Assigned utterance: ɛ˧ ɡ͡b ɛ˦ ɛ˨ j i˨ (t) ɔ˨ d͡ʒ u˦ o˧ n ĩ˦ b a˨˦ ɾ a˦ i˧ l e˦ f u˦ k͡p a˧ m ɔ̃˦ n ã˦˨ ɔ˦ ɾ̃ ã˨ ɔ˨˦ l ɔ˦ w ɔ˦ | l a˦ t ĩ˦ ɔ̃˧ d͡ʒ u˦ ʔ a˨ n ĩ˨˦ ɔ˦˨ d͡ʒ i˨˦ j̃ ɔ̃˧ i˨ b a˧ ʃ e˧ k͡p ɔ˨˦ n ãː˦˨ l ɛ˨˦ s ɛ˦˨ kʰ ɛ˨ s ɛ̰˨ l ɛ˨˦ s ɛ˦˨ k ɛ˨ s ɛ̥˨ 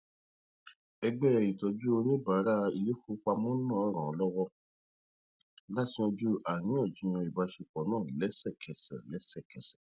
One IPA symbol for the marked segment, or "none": t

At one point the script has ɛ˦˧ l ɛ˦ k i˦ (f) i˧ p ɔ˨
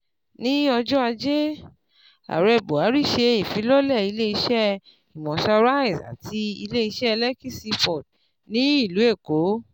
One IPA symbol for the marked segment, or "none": s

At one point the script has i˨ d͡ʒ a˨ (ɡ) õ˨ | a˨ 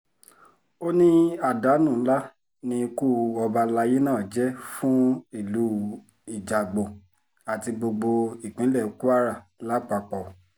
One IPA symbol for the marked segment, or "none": ɡ͡b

